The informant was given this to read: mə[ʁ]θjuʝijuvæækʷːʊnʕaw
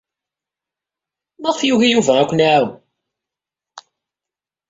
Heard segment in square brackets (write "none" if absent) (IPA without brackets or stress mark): ʁ